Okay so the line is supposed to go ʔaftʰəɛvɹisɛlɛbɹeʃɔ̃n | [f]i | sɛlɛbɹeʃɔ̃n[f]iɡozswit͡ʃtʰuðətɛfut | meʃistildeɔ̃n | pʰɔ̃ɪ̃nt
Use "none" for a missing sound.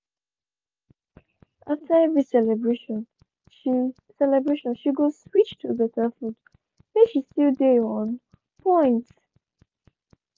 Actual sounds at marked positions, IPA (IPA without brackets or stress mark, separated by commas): ʃ, ʃ